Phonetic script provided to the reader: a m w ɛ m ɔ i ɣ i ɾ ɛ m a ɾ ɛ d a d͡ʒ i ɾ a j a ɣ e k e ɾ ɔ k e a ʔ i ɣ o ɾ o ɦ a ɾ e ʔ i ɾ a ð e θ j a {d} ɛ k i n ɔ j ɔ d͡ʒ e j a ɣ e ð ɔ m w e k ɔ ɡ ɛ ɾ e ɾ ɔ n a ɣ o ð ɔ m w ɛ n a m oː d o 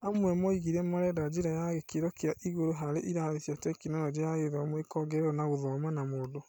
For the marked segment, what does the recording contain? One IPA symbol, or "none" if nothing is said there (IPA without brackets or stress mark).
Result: t